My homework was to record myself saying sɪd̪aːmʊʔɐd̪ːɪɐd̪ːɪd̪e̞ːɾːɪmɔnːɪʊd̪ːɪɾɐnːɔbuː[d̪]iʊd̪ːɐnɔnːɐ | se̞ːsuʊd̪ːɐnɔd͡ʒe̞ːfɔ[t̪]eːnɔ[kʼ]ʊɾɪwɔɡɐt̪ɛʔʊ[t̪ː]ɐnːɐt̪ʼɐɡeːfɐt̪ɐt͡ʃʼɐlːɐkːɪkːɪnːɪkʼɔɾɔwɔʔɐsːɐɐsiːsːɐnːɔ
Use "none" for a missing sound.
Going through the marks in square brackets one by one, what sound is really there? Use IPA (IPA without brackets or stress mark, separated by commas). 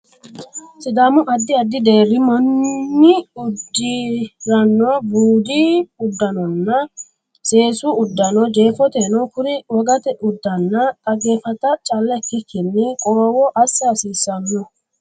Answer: d̪, t̪, k, d̪ː